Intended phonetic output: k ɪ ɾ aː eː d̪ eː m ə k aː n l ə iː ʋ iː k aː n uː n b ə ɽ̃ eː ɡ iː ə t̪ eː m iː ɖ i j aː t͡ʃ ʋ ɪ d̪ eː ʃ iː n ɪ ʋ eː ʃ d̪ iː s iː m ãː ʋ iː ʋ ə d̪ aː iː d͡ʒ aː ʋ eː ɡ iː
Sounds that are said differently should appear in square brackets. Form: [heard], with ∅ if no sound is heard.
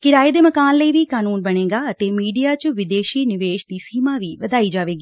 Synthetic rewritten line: k ɪ ɾ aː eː d̪ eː m ə k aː n l ə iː ʋ iː k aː n uː n b ə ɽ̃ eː ɡ [aː] ə t̪ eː m iː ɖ i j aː t͡ʃ ʋ ɪ d̪ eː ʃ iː n ɪ ʋ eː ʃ d̪ iː s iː m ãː ʋ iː ʋ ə d̪ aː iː d͡ʒ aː ʋ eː ɡ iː